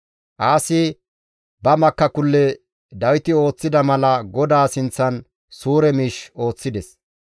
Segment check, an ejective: absent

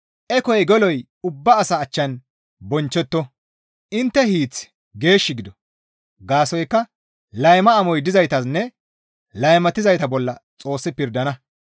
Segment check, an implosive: absent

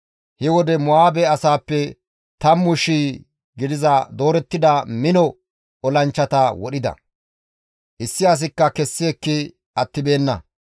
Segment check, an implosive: present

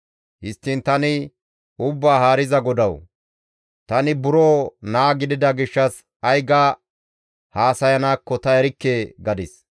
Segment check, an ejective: absent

